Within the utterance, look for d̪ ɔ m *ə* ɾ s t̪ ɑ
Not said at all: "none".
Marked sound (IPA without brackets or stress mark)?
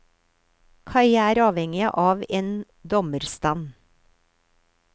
ə